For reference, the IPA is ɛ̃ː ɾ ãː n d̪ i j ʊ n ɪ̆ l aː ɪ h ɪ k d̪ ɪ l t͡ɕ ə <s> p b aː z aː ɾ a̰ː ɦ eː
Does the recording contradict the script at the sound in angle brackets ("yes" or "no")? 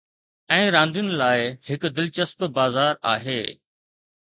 no